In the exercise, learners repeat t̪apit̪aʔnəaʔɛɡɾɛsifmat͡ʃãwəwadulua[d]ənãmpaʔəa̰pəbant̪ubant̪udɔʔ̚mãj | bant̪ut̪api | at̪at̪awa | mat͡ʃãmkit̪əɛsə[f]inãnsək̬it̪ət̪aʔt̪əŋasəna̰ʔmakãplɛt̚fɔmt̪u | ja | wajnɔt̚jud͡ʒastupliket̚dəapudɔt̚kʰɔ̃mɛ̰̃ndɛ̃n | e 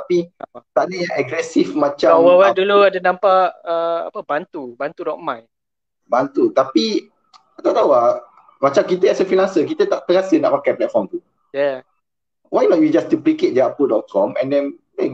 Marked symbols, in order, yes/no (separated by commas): yes, yes